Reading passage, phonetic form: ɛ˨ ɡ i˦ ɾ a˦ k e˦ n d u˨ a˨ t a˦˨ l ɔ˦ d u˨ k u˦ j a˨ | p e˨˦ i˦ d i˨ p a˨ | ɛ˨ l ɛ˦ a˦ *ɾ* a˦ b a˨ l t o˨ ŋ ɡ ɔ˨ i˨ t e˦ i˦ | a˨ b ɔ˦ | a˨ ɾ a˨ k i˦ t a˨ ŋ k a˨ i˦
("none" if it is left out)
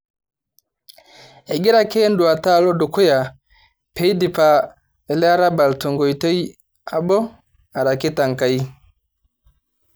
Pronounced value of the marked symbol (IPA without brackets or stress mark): ɾ